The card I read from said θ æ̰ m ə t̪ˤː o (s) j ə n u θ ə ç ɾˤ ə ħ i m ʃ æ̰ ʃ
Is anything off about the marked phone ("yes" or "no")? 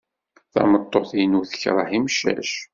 yes